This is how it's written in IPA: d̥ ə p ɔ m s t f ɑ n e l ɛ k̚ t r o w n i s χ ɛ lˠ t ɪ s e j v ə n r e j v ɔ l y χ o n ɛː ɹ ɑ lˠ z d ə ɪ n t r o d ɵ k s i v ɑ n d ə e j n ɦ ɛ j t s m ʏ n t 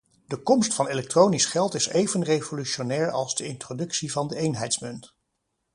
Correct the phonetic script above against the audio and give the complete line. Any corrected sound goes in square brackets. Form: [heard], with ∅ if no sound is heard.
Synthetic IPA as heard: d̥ ə [k] ɔ m s t f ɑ n e l ɛ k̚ t r o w n i s χ ɛ lˠ t ɪ s e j v ə n r e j v [o] l y [ʃ] o n ɛː ɹ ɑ lˠ z d ə ɪ n t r o d ɵ k s i v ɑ n d ə e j n ɦ ɛ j t s m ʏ n t